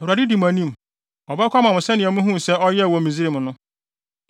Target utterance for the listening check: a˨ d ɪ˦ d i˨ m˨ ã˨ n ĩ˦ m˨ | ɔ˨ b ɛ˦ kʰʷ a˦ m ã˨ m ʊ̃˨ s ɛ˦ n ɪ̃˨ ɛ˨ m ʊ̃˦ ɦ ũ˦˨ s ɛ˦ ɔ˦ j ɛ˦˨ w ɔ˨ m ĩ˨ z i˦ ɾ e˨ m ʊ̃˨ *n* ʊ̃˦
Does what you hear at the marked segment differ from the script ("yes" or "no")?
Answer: no